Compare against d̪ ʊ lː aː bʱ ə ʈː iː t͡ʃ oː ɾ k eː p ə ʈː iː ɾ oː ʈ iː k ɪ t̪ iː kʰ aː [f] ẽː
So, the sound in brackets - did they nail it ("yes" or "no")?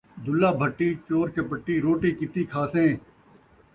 no